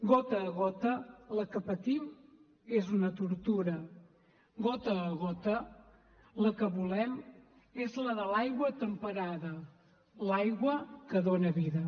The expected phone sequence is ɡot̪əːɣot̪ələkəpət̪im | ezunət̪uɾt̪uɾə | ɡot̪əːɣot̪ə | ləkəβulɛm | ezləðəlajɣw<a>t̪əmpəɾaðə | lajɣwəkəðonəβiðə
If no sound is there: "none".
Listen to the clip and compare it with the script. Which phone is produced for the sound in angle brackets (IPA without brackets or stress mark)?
ə